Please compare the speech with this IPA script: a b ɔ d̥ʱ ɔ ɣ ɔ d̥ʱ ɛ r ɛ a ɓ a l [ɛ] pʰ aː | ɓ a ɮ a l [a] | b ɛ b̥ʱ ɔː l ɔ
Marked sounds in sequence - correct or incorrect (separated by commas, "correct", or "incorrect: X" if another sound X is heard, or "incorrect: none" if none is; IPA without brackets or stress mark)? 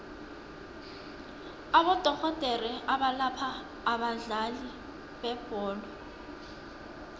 incorrect: a, incorrect: i